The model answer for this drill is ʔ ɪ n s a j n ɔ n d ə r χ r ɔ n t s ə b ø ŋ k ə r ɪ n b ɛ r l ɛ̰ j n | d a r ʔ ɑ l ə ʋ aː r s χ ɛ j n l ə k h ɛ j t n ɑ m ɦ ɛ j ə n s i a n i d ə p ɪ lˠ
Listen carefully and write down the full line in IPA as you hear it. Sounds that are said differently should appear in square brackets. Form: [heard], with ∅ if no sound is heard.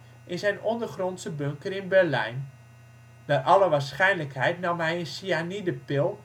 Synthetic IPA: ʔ ɪ n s [ɛ] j n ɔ n d ə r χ r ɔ n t s ə b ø ŋ k ə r ɪ n b ɛ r l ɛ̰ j n | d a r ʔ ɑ l ə ʋ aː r s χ ɛ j n l ə k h ɛ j t n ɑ m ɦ ɛ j ə n s i a n i d ə p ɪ lˠ